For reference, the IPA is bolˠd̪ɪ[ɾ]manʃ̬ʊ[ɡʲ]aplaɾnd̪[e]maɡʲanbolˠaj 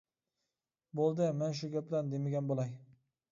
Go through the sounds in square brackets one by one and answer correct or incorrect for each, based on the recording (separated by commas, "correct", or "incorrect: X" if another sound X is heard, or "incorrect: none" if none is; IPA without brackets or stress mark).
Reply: incorrect: none, correct, correct